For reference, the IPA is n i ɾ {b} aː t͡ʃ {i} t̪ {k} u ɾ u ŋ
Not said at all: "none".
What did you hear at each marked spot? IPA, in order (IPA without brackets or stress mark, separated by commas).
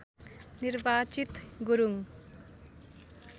b, i, ɡ